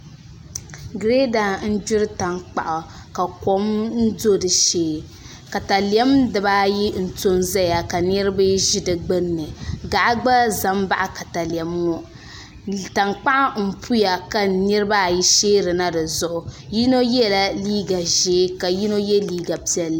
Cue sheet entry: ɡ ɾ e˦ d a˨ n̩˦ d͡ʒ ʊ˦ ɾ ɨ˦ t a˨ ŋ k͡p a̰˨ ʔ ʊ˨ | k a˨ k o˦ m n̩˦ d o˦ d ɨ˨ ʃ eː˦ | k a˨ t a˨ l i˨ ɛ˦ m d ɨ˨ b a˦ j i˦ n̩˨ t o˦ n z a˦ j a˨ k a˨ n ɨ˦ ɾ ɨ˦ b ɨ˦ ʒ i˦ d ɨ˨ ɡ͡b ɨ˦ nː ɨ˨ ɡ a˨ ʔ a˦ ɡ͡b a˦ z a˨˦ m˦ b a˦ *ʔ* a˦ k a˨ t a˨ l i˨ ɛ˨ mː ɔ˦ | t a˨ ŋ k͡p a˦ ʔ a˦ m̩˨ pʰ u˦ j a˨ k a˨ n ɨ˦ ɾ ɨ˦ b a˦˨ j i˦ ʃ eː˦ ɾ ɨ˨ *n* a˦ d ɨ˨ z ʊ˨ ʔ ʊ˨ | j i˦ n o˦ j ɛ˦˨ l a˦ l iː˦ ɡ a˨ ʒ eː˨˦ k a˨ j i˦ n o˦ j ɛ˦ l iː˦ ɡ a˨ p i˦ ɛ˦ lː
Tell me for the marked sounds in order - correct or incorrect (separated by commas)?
correct, correct